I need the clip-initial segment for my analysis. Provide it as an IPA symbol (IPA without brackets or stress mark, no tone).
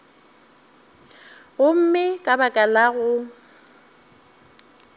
ɣ